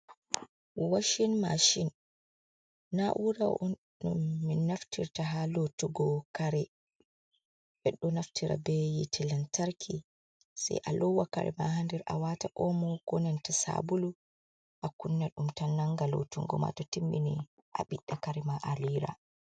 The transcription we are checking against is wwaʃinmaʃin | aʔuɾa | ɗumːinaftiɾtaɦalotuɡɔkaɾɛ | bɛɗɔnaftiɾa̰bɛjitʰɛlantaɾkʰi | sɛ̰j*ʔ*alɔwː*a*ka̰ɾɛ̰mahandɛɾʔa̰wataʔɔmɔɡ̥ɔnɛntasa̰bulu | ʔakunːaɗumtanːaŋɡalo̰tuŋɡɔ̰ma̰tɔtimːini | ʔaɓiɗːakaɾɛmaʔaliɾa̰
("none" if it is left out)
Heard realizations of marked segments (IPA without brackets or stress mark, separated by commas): ʔ, a